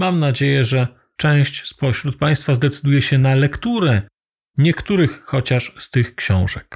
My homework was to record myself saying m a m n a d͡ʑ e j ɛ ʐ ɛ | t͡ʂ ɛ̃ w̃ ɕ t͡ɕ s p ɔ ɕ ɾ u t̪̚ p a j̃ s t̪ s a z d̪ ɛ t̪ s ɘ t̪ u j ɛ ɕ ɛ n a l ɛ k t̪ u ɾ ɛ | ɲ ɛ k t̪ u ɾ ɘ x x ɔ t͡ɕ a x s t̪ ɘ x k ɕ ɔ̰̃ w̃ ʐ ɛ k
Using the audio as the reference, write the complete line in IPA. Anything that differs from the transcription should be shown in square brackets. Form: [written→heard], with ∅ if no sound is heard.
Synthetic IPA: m a m n a d͡ʑ e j ɛ ʐ ɛ | t͡ʂ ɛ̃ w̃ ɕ t͡ɕ s p ɔ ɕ ɾ u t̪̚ p a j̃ s t̪ [s→f] a z d̪ ɛ t̪ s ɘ [t̪→d̪] u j ɛ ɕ ɛ n a l ɛ k t̪ u ɾ ɛ | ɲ ɛ k t̪ u ɾ ɘ x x ɔ t͡ɕ a [x→ʂ] s t̪ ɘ x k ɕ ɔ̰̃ w̃ ʐ ɛ k